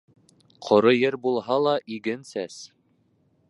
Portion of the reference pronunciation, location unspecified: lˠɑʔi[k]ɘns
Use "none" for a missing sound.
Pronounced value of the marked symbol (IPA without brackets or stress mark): ɡ